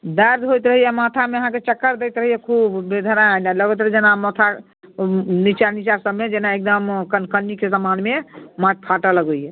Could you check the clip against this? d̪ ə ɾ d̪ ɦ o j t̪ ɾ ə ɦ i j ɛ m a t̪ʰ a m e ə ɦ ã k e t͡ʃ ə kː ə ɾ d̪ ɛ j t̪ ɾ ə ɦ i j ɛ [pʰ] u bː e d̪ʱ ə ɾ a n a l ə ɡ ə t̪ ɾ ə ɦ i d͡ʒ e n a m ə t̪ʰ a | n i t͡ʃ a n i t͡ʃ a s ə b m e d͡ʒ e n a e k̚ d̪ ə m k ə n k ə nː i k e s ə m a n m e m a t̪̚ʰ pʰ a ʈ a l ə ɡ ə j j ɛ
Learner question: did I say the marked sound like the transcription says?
no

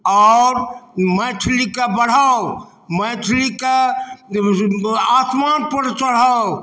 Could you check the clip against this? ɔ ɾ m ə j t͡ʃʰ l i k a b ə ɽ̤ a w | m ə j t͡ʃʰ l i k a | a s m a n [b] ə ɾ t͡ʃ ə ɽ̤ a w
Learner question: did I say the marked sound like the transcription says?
no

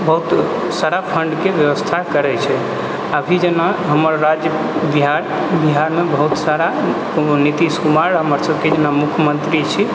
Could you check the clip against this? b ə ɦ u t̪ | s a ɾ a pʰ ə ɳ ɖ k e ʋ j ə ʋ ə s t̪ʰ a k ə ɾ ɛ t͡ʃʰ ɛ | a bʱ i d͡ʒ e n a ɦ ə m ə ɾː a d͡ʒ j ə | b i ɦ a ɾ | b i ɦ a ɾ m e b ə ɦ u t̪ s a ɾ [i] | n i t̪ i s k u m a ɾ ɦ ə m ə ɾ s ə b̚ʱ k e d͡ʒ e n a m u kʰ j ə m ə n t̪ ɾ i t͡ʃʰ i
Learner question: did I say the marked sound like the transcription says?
no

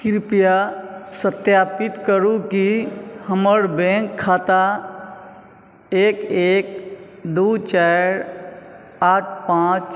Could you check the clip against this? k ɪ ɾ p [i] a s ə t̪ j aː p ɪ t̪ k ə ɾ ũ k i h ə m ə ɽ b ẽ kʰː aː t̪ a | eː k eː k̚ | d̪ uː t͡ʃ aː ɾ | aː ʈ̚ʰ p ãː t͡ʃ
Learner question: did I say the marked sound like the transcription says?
no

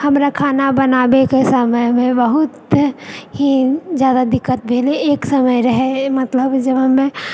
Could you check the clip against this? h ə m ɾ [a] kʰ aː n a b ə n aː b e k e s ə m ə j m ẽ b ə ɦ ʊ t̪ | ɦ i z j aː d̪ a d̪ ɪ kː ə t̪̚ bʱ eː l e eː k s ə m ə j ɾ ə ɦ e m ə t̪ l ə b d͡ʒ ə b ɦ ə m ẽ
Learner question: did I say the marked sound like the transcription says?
yes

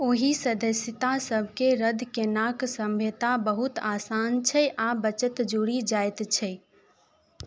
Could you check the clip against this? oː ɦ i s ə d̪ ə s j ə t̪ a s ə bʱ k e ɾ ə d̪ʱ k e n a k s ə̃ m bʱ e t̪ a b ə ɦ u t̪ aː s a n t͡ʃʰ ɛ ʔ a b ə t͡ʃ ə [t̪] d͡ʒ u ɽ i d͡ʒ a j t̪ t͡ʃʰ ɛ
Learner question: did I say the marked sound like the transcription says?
yes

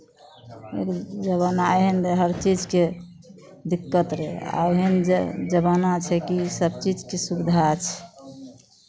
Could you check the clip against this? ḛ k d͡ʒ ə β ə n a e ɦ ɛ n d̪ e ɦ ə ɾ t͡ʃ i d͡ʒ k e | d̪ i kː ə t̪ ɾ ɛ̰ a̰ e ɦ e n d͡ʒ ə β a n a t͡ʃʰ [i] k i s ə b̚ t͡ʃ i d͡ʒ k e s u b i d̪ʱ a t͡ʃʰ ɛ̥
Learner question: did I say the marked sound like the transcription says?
no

